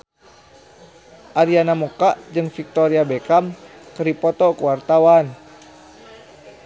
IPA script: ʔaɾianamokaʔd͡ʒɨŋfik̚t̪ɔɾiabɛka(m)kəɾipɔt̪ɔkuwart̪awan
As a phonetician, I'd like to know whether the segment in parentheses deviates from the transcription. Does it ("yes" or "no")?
no